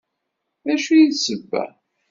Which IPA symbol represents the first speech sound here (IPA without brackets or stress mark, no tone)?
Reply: æ